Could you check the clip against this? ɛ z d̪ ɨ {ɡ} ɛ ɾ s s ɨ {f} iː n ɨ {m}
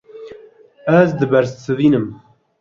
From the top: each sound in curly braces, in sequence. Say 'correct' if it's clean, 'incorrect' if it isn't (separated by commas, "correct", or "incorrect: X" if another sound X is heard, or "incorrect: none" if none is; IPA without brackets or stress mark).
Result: incorrect: b, incorrect: v, correct